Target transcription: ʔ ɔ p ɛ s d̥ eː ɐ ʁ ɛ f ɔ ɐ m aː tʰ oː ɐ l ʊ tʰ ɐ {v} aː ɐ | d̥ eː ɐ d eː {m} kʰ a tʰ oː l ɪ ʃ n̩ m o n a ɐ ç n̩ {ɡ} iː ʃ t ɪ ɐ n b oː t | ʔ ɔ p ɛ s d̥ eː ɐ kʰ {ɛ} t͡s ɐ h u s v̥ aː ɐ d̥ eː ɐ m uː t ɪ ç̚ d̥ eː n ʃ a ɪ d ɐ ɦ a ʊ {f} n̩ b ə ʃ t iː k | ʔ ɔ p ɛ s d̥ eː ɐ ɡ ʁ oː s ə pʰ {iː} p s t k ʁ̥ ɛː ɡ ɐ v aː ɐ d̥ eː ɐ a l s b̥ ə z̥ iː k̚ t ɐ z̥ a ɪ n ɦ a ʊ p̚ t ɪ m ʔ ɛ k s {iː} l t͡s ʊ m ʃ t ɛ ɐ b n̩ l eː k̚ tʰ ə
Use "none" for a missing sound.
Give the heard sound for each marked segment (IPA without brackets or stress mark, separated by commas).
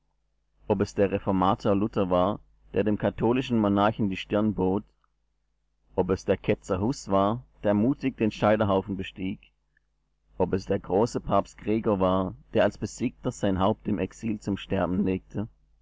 v, m, d, ɛ, f, aː, iː